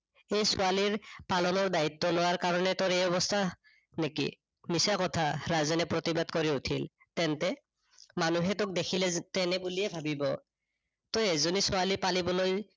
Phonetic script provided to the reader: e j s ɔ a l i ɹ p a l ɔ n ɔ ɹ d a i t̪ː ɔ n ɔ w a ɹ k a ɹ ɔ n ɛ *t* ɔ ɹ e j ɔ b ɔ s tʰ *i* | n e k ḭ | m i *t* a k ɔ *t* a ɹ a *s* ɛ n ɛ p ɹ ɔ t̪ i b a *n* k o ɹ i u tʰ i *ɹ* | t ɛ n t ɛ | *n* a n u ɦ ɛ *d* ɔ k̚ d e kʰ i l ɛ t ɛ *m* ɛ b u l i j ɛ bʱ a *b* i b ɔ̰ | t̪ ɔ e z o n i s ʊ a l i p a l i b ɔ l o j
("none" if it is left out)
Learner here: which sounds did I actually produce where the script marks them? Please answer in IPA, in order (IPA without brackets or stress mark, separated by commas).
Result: t, a, s, tʰ, z, d, l, m, t, n, b